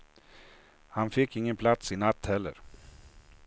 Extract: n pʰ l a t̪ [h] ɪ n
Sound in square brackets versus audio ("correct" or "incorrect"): incorrect